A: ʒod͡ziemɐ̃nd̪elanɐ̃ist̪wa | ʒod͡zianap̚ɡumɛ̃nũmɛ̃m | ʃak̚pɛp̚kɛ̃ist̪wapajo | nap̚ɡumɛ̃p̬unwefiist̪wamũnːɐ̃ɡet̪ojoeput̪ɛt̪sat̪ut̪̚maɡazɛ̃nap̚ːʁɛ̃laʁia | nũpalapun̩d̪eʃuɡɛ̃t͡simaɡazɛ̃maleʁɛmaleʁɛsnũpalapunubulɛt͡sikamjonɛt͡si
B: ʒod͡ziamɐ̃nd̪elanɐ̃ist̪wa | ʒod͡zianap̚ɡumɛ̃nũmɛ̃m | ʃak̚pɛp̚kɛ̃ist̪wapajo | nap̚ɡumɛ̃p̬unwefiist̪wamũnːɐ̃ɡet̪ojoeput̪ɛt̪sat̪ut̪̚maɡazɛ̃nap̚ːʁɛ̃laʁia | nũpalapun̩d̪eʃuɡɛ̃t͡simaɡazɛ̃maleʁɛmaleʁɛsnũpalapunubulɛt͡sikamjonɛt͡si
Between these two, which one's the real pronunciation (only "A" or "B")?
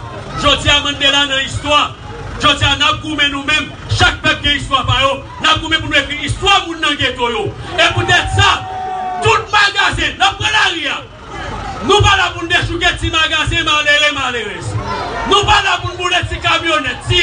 B